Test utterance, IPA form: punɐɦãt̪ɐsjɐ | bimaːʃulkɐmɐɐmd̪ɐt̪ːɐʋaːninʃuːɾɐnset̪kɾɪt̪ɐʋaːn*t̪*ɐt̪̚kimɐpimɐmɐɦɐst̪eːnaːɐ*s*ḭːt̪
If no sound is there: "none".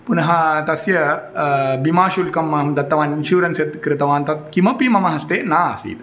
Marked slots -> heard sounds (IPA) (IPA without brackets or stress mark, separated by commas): t̪, s